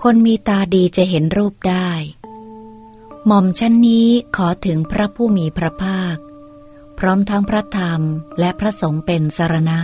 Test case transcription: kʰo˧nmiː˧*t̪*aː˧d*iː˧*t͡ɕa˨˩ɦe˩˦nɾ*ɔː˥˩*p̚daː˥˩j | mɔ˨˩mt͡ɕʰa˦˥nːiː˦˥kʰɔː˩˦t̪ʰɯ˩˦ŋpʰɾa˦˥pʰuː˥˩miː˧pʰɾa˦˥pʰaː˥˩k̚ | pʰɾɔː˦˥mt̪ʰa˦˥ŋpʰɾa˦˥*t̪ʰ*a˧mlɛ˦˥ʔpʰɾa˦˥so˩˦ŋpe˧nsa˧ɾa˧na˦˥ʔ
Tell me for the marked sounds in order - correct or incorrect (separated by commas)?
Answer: correct, correct, incorrect, correct